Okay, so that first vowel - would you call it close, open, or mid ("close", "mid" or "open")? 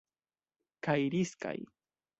open